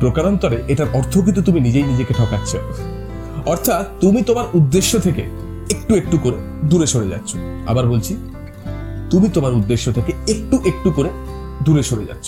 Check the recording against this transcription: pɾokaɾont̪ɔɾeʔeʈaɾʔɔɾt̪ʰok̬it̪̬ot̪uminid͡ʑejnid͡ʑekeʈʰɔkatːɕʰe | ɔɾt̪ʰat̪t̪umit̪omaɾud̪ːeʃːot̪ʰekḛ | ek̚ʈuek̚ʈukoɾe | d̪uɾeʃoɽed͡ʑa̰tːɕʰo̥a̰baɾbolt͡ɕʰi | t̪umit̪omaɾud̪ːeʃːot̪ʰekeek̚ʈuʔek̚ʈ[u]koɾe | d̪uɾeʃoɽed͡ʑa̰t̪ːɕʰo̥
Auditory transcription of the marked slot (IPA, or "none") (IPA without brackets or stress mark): u